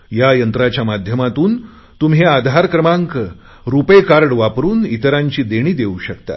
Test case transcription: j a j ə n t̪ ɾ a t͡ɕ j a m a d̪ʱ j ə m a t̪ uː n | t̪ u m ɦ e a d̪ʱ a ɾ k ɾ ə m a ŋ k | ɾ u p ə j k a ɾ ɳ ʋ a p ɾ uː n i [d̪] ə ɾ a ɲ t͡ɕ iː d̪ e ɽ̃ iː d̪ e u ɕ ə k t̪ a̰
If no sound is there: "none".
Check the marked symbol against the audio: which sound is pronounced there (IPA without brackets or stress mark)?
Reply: t̪